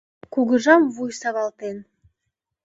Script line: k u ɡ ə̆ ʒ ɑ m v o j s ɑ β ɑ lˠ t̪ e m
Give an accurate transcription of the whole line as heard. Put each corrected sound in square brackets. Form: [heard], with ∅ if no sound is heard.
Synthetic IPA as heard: k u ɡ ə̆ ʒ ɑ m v [u] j s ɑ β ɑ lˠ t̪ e [n]